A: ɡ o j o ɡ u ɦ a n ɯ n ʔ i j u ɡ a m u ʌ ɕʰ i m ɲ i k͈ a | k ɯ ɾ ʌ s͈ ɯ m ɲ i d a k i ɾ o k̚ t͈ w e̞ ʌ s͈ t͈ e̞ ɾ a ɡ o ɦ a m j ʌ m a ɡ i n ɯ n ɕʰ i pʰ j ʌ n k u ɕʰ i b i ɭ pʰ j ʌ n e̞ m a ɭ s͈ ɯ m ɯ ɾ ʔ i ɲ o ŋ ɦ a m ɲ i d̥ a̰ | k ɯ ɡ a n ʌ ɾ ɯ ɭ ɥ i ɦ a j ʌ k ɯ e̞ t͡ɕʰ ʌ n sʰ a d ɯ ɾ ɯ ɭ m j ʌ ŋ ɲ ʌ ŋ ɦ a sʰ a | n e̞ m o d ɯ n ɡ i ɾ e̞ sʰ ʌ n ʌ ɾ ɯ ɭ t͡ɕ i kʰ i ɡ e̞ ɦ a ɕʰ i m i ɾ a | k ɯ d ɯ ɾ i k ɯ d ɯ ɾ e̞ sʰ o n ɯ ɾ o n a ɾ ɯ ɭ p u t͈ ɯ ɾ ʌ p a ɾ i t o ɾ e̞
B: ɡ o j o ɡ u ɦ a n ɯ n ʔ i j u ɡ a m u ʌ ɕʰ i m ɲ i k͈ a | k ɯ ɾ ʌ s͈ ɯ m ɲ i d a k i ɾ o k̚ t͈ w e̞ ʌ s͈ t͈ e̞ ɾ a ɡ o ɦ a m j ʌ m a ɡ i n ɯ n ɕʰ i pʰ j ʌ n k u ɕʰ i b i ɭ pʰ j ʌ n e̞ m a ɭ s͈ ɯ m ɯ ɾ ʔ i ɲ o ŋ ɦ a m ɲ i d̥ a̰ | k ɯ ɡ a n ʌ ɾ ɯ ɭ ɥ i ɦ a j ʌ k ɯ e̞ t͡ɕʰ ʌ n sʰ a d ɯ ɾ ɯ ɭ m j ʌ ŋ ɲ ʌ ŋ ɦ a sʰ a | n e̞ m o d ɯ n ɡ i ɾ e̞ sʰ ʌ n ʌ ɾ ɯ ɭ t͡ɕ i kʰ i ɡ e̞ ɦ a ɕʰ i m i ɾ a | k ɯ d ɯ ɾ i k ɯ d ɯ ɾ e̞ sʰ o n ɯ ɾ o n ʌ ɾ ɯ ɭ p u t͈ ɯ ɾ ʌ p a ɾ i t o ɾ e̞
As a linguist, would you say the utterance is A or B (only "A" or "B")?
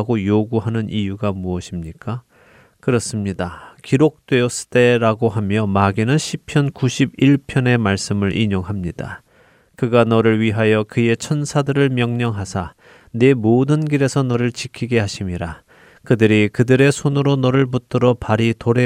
B